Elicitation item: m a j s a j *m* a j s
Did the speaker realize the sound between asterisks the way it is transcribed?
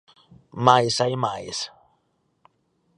yes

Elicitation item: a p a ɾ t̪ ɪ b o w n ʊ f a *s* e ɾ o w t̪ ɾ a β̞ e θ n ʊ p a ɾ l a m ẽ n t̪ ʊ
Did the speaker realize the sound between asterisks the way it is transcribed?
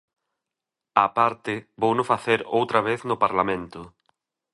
no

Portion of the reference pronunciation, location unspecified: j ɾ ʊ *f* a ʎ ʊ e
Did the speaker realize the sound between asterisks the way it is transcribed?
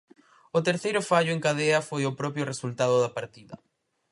yes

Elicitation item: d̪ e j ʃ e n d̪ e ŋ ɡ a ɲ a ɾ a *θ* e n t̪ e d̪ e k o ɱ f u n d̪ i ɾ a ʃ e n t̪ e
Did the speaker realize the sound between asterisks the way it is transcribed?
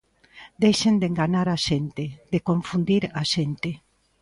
no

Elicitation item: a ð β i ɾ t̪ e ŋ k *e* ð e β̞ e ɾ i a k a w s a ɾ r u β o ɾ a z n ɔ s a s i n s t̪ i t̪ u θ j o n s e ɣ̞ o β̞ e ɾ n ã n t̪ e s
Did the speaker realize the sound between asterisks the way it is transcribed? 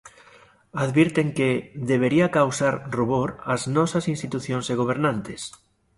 yes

